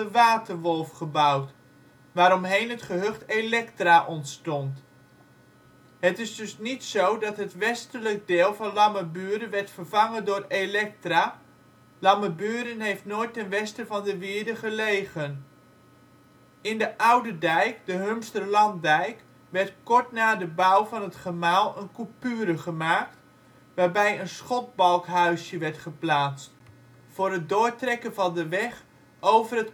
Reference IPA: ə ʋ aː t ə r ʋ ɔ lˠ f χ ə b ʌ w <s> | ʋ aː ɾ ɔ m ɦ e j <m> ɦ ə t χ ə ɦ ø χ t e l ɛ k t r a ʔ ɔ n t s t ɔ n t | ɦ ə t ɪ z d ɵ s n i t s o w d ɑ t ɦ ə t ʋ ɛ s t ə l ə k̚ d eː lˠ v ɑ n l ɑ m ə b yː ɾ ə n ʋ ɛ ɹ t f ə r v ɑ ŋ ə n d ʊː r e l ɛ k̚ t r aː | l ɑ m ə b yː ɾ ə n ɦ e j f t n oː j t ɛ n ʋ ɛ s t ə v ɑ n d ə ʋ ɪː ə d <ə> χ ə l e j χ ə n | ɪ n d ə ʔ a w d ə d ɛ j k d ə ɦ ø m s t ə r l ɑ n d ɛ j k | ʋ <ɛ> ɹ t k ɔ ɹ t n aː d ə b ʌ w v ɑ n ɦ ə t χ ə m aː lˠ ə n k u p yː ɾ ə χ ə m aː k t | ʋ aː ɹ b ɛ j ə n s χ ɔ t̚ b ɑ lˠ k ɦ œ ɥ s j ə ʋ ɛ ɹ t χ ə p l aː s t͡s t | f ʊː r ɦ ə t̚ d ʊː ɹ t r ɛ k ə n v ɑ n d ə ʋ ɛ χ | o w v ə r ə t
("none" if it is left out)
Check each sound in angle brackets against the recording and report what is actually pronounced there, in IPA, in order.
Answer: t, n, ə, ɛ

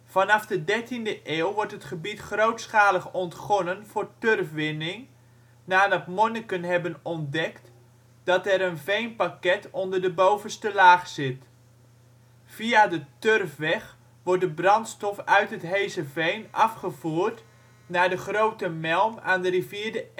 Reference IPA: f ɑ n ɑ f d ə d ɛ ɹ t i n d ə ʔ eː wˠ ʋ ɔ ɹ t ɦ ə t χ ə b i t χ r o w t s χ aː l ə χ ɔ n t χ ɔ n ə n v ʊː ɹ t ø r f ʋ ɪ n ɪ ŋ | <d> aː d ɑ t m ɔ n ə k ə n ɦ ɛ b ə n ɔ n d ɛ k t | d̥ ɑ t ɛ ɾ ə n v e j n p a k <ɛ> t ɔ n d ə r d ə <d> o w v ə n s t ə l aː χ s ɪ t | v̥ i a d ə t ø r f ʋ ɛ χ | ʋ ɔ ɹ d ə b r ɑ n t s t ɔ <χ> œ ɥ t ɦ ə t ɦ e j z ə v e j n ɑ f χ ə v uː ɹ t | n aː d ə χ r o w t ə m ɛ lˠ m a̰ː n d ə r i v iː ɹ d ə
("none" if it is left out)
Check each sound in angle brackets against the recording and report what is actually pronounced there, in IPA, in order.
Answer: n, ɛ, b, f

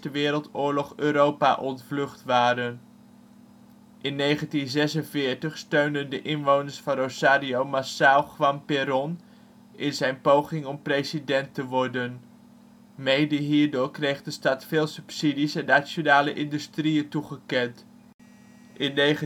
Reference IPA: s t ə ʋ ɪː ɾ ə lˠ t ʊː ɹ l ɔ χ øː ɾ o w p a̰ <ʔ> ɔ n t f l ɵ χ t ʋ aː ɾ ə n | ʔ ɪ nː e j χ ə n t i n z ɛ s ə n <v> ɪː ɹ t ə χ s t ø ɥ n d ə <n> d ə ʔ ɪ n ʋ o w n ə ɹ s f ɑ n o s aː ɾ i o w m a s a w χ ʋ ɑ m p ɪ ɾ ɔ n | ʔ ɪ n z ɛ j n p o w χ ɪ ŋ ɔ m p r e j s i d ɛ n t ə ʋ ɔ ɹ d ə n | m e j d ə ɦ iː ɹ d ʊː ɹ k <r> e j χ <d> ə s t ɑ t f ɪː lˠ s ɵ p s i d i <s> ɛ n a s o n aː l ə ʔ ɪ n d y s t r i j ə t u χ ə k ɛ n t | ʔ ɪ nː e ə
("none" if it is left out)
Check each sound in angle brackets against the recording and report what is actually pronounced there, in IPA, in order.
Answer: ʔ, v, n, r, d, s

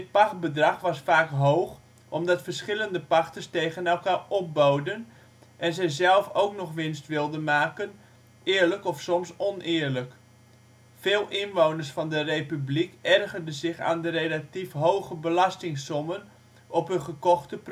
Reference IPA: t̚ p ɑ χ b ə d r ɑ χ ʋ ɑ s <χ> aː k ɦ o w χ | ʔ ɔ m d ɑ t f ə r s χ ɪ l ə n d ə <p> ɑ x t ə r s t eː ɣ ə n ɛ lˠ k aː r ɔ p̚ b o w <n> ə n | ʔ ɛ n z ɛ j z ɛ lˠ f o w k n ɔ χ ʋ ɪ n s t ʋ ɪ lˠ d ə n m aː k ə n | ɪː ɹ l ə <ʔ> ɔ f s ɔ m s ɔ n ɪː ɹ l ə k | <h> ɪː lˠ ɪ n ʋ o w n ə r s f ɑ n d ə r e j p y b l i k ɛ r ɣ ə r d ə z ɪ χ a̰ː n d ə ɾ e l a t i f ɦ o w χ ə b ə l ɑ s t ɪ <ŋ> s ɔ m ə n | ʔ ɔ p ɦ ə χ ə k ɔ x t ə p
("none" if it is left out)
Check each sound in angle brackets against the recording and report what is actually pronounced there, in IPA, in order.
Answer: f, p, d, k, f, ŋ

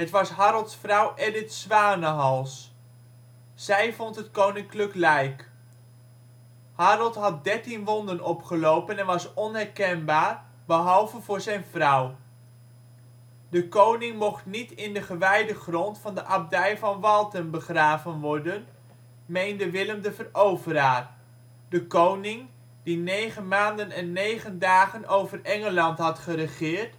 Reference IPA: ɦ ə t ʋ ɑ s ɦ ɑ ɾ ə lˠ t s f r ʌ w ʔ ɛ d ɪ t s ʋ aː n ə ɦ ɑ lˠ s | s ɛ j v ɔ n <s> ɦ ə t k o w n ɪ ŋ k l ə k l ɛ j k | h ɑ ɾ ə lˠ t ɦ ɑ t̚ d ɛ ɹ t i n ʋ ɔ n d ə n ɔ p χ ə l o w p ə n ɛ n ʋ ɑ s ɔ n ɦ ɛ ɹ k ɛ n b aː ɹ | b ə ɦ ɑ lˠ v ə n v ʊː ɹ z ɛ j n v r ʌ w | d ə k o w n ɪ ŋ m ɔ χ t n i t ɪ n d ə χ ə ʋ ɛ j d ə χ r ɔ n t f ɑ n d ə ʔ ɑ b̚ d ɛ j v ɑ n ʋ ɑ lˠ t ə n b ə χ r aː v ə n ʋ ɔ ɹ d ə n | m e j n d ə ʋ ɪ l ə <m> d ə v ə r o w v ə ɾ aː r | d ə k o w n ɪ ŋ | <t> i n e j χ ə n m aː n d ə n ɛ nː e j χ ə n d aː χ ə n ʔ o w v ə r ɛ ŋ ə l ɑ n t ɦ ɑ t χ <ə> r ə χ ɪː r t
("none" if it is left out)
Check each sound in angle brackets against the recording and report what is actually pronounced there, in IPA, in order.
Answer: t, m, d, ə

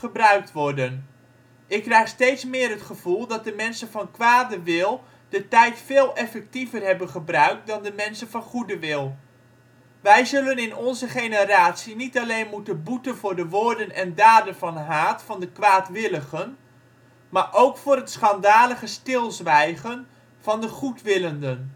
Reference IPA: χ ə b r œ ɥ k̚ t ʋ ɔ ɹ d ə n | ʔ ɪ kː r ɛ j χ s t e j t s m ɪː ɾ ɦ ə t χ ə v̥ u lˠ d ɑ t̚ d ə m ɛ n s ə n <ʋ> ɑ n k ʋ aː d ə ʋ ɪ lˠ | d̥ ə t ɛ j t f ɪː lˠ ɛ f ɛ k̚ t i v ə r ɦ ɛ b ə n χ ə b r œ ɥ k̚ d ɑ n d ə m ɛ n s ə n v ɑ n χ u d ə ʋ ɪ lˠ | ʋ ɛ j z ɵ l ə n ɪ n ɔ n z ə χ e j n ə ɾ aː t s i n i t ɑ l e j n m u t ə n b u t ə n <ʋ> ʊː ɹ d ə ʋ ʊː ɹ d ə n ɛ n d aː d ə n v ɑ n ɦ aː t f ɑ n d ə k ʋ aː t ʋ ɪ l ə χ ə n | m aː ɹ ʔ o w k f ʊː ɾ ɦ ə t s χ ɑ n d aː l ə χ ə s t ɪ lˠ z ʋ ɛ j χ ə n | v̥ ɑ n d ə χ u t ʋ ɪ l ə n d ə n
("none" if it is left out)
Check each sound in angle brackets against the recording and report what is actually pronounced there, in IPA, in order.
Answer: v, v

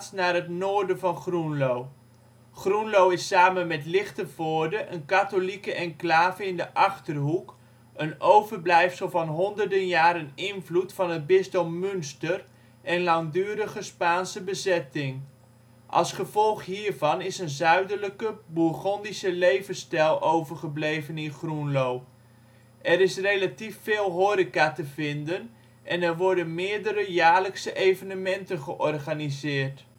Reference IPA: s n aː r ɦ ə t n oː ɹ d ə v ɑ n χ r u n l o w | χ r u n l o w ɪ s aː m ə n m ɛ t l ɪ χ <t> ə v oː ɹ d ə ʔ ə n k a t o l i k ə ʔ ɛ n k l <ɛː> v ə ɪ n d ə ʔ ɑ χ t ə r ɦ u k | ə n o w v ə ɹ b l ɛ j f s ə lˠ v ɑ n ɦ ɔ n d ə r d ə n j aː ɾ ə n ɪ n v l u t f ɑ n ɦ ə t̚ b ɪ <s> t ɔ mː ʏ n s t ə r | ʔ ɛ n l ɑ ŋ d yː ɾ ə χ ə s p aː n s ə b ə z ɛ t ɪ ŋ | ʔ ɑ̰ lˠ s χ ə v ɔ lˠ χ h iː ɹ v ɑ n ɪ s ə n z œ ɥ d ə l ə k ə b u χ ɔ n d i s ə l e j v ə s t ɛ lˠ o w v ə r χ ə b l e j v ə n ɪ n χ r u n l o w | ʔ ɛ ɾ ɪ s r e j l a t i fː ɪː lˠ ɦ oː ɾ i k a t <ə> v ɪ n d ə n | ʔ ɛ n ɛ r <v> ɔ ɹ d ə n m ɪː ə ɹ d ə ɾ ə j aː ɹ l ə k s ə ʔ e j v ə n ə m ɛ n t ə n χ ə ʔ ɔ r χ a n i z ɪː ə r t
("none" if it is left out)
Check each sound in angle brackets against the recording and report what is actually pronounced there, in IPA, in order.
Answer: t, aː, s, ə, ʋ

